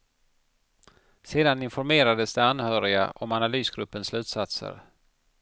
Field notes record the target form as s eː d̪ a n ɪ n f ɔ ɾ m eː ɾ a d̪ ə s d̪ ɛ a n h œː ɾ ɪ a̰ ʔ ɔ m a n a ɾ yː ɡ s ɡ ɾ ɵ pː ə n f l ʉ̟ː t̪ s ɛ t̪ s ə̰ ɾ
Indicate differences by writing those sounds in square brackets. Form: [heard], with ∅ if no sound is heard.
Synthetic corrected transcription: s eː d̪ a n ɪ n f ɔ ɾ m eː ɾ a d̪ ə s d̪ ɛ a n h œː ɾ ɪ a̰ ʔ ɔ m a n a [l] yː [∅] s ɡ ɾ ɵ pː ə n [s] l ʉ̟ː t̪ s [a] t̪ s ə̰ ɾ